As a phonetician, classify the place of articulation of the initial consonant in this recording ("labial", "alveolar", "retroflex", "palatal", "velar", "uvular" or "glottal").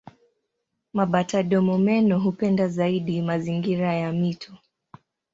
labial